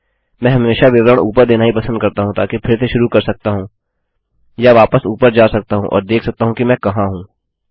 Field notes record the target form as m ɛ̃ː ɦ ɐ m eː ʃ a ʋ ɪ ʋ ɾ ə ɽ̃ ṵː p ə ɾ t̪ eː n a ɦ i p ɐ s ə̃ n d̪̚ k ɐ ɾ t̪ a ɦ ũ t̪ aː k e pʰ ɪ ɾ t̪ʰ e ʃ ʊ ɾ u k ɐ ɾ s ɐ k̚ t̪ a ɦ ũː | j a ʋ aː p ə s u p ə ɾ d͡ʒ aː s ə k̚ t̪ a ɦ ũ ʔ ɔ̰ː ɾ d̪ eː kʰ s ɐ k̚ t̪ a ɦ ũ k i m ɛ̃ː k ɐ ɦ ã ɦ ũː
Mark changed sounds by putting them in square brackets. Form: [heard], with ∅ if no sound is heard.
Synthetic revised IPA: m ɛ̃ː ɦ ɐ m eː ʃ a ʋ ɪ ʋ ɾ ə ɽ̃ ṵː p ə ɾ [d̪] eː n a ɦ i p ɐ s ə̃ n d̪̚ k ɐ ɾ t̪ a ɦ ũ t̪ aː k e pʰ ɪ ɾ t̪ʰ e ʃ ʊ ɾ u k ɐ ɾ s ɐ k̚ t̪ a ɦ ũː | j a ʋ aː p ə s [uː] p ə ɾ d͡ʒ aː s [ɐ] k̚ t̪ a ɦ ũ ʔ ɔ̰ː ɾ d̪ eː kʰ s ɐ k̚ t̪ a ɦ ũ k i m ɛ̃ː k ɐ ɦ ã ɦ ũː